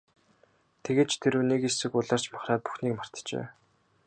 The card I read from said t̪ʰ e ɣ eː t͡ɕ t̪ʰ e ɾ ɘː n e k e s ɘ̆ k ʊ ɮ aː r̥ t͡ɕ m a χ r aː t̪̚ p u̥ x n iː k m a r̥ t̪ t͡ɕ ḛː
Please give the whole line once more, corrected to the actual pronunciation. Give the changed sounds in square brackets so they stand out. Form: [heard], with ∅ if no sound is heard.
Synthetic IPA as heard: t̪ʰ e ɣ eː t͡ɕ t̪ʰ e ɾ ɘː n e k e s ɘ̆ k ʊ ɮ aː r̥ t͡ɕ m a χ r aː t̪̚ p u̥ x n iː k m a r̥ t̪ t͡ɕ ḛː